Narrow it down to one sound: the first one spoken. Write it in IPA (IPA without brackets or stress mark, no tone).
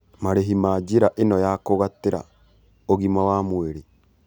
m